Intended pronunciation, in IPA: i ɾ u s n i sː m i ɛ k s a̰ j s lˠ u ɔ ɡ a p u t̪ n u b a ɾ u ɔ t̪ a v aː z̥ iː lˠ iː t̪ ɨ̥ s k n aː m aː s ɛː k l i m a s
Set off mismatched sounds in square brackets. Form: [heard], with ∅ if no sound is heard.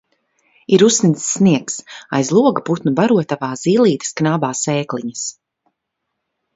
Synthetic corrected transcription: i ɾ u s n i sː [n] i ɛ k s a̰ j [z] lˠ u ɔ ɡ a p u t̪ n u b a ɾ u ɔ t̪ a v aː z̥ iː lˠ iː t̪ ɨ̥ s k n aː [b] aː s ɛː k l i [ɲ] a s